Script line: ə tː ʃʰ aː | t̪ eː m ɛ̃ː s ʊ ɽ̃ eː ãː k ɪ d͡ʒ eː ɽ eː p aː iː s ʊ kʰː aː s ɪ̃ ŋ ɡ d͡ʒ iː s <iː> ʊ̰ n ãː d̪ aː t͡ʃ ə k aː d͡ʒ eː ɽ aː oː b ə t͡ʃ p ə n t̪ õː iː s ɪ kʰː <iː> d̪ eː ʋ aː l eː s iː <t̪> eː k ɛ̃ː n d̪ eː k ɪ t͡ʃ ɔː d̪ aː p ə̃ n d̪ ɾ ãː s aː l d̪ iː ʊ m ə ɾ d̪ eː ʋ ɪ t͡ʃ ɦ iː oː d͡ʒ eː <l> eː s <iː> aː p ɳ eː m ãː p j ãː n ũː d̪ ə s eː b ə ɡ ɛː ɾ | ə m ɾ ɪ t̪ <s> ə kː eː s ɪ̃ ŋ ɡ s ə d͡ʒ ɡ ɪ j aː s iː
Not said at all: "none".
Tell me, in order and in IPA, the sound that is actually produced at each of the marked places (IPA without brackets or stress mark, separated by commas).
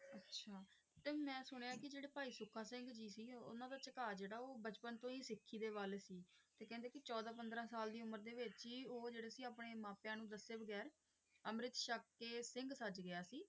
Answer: iː, iː, t̪, ɽ, iː, ʃ